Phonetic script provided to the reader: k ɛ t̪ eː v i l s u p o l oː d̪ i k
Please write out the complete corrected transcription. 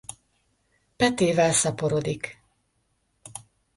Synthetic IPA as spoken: p ɛ t̪ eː v ɛ l s ɒ p o ɾ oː d̪ i k